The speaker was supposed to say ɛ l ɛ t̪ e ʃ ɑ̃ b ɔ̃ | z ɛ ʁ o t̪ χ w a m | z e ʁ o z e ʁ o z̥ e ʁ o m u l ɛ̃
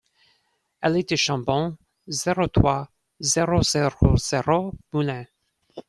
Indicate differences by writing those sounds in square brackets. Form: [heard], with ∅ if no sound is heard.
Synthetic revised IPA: ɛ l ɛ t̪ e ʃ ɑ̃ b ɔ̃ | z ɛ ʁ o t̪ χ w a [∅] | z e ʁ o z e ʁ o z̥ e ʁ o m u l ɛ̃